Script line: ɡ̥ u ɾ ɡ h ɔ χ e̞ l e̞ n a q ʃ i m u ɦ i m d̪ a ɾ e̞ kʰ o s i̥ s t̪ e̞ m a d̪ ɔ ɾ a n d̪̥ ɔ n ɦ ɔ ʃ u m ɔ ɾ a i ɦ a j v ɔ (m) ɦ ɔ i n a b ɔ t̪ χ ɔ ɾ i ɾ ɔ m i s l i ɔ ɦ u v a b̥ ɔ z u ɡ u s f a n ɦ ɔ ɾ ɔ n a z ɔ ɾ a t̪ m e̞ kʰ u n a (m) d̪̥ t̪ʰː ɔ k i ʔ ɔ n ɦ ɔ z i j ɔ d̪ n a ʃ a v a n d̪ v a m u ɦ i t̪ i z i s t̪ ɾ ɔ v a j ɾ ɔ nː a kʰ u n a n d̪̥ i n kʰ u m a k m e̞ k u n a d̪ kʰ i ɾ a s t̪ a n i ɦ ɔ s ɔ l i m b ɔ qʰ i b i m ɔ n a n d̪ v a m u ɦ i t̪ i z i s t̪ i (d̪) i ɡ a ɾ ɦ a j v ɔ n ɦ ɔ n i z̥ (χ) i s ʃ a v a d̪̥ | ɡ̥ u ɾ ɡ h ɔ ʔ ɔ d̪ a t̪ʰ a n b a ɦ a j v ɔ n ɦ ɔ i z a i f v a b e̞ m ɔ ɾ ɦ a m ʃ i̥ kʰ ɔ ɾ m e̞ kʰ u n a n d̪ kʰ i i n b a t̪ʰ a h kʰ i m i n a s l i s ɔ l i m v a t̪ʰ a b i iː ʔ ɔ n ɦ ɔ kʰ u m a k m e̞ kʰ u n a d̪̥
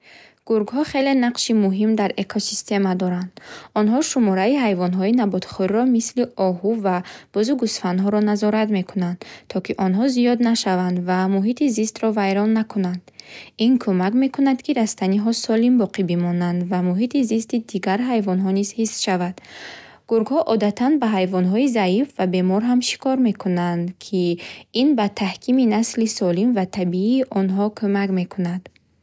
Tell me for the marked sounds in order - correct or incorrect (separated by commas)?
incorrect, incorrect, correct, incorrect